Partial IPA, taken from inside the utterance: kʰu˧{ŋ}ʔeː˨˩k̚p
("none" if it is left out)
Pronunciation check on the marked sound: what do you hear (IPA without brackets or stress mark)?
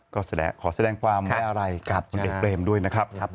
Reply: n